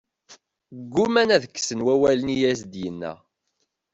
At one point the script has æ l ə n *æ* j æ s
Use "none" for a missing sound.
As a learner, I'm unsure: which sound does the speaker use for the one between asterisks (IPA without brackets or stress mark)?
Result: i